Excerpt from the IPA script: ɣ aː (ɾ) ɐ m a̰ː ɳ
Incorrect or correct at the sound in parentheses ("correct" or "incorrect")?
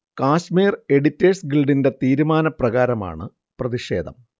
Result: correct